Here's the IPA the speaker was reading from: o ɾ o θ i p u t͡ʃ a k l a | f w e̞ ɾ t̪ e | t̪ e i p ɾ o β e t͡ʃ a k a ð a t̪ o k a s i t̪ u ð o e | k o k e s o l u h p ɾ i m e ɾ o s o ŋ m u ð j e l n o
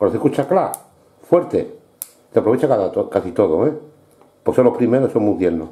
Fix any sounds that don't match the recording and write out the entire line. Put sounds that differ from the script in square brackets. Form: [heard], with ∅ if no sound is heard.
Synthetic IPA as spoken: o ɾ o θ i [k] u t͡ʃ a k l a | f w e̞ ɾ t̪ e | t̪ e [a] p ɾ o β e t͡ʃ a k a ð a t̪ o k a s i t̪ [o] ð o e | [p] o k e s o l [o] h p ɾ i m e ɾ o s o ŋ m u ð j e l n o